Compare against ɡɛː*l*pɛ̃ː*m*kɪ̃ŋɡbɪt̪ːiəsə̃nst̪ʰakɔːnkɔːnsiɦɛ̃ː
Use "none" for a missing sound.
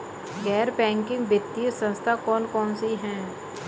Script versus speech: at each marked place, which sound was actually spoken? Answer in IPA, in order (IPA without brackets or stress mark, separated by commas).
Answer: ɾ, ŋ